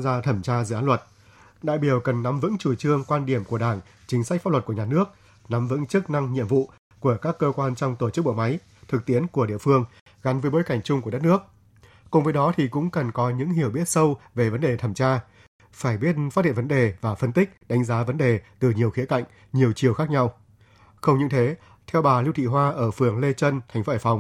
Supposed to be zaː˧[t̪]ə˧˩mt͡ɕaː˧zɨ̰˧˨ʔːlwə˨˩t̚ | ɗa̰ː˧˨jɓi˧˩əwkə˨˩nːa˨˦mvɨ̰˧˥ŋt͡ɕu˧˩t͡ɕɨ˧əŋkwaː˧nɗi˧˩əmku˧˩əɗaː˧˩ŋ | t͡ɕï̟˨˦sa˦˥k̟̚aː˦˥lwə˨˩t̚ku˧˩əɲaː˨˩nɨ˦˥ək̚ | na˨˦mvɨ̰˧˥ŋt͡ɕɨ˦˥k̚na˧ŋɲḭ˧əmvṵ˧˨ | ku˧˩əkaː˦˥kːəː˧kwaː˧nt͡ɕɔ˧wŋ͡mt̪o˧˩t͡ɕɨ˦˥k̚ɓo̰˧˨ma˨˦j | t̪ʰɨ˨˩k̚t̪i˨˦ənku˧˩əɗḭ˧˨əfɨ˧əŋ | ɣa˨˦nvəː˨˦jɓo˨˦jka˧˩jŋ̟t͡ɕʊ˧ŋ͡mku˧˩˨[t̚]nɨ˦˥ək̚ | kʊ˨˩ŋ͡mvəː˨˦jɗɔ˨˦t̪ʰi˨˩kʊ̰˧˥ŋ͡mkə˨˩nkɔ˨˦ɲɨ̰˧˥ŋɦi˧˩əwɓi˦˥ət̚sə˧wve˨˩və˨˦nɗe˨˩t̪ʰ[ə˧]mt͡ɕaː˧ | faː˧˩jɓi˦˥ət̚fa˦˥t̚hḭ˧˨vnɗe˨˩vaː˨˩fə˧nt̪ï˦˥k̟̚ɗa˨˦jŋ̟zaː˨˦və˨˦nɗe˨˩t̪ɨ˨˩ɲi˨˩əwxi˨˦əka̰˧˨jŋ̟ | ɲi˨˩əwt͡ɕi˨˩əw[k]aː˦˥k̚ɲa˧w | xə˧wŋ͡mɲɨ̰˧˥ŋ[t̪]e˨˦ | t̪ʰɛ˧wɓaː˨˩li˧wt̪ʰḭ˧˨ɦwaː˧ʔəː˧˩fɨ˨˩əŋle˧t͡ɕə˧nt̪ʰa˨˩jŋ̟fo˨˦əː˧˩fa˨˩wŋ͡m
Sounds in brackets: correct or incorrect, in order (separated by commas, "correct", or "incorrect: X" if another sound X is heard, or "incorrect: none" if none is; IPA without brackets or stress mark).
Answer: incorrect: t̪ʰ, correct, incorrect: ə˧˩, incorrect: x, incorrect: t̪ʰ